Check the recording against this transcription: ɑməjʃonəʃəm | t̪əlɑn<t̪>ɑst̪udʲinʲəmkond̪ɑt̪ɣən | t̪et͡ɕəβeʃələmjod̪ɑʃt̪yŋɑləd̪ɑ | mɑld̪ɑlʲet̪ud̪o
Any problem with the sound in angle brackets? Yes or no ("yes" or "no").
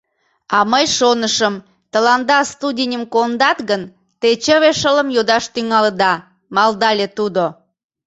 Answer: yes